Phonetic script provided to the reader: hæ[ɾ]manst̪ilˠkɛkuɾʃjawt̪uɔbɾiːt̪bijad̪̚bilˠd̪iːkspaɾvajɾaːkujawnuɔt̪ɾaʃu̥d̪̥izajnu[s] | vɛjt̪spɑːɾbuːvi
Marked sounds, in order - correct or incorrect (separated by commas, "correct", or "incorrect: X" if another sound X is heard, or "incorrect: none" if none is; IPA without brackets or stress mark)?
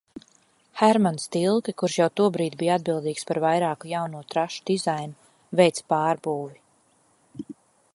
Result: correct, incorrect: none